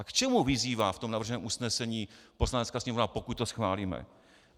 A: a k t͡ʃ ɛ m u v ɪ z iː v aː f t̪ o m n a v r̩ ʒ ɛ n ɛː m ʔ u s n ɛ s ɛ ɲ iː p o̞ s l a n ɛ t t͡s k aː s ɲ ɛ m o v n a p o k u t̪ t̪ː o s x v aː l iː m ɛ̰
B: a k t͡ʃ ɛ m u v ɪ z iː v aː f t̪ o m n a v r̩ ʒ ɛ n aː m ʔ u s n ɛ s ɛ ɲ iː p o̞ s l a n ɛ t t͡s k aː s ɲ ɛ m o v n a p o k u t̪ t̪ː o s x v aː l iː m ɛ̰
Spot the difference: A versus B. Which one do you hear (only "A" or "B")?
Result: A